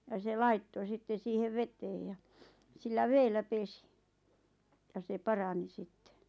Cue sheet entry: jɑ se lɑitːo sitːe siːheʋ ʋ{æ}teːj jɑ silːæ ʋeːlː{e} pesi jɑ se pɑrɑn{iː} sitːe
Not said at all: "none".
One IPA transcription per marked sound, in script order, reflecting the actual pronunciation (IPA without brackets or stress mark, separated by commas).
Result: e, æ, i